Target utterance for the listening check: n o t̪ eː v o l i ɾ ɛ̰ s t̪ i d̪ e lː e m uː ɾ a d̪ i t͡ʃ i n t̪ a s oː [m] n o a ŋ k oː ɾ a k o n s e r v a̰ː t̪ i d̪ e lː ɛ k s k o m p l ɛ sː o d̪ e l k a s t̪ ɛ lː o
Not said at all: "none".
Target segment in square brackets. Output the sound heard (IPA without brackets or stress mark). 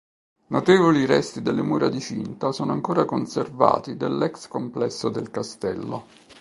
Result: none